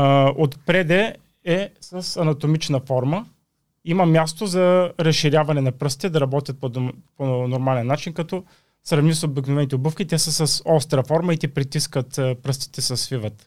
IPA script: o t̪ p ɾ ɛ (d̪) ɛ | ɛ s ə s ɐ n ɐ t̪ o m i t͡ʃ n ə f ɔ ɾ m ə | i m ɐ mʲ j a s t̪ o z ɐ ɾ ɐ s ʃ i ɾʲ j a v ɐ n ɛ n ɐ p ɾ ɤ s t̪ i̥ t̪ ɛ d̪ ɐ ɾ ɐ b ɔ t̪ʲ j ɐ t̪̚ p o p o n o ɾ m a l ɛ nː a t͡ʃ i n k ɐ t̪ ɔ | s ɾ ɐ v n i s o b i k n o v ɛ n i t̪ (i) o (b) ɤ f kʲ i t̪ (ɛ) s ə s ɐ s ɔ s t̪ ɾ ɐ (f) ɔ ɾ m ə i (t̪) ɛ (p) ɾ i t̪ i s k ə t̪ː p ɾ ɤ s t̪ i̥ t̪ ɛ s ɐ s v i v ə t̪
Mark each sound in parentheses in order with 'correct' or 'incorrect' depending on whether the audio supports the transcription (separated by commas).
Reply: correct, incorrect, correct, correct, correct, correct, correct